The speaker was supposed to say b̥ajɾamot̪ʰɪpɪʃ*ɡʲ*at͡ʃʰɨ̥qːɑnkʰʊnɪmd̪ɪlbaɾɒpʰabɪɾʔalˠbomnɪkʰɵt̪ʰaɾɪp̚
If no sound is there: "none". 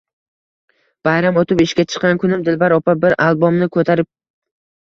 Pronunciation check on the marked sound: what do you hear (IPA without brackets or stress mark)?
kʲ